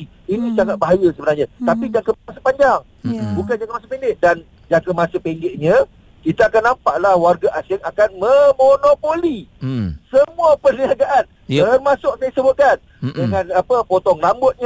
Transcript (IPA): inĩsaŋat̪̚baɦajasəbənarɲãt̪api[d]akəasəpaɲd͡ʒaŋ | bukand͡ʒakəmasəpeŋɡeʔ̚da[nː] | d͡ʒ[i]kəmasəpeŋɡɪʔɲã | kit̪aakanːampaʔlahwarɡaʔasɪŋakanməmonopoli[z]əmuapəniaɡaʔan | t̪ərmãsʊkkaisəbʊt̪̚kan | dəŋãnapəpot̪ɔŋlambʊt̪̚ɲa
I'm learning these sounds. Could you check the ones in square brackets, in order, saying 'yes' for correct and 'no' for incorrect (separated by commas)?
no, no, no, no